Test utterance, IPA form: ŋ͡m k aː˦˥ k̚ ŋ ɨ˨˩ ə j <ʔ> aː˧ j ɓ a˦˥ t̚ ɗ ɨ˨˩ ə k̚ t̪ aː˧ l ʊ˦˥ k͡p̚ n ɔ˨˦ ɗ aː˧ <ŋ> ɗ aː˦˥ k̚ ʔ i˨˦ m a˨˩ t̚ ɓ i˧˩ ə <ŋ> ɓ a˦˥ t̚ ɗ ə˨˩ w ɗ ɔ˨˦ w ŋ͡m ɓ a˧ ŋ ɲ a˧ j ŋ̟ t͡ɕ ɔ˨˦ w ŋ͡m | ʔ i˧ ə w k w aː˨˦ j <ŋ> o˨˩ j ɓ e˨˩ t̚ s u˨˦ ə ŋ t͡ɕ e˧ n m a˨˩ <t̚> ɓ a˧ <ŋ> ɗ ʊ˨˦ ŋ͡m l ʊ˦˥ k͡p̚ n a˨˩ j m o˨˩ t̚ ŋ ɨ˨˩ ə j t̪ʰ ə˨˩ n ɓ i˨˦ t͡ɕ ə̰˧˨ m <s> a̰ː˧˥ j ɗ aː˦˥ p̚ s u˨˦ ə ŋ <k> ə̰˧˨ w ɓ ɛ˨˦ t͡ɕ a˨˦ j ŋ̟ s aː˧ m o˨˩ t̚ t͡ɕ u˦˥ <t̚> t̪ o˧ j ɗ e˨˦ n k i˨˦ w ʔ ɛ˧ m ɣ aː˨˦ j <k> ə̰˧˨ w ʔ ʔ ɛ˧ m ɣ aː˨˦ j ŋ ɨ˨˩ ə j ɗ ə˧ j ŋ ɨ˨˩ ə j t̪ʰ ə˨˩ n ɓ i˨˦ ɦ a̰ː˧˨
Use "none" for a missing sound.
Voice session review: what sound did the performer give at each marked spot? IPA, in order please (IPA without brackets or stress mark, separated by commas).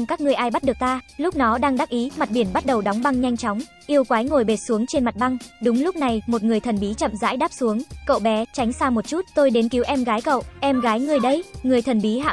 ʔ, ŋ, n, ŋ, t̚, ŋ, z, k, t̚, k